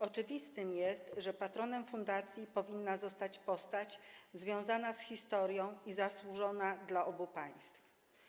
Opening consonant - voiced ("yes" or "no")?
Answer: no